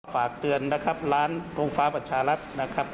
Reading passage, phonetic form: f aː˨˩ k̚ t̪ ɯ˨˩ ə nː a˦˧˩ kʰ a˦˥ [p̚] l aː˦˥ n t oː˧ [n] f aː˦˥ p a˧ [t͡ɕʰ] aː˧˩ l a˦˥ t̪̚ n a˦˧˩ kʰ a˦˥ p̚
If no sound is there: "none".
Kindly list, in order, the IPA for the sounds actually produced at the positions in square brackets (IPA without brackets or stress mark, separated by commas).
p̚, ŋ, t͡ɕʰ